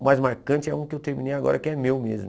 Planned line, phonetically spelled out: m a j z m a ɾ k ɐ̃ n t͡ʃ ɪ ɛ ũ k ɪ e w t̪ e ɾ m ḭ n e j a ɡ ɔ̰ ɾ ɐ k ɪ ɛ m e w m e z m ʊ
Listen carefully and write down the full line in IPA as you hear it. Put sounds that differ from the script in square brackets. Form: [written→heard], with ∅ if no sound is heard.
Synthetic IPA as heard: m a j z m a ɾ k ɐ̃ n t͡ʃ ɪ ɛ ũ k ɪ e w t̪ e ɾ m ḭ n e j a ɡ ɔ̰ ɾ ɐ k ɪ ɛ m e w m e z m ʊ